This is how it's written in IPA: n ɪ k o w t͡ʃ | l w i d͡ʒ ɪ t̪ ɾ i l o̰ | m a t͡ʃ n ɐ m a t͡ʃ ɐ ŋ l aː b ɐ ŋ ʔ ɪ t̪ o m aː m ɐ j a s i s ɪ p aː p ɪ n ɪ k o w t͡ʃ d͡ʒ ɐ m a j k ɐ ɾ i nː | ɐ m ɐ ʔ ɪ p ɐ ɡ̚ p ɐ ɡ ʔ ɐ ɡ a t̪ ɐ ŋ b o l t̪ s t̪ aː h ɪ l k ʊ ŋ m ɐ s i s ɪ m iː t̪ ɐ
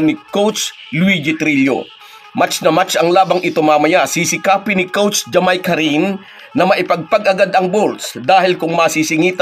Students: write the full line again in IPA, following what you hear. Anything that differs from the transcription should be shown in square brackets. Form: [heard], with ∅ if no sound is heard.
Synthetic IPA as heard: n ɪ k o w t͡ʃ | l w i d͡ʒ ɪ t̪ ɾ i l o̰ | m a t͡ʃ n ɐ m a t͡ʃ ɐ ŋ l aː b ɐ ŋ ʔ ɪ t̪ o m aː m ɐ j a s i s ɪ [k] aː p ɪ n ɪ k o w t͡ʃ d͡ʒ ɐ m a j k ɐ ɾ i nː | ɐ m ɐ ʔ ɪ p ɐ ɡ̚ p ɐ ɡ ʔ ɐ ɡ a [d̪] ɐ ŋ b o l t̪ s [d̪] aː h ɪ l k ʊ ŋ m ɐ s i s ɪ [ŋ] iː t̪ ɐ